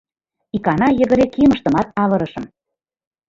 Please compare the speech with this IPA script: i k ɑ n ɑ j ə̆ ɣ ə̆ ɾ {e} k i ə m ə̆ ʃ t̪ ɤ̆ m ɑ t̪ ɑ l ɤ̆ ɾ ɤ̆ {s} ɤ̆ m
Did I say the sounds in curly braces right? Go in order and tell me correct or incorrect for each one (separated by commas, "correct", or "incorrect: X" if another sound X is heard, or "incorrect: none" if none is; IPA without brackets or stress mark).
correct, incorrect: ʃ